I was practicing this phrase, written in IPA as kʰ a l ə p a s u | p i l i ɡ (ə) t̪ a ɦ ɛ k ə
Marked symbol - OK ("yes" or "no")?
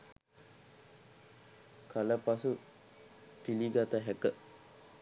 no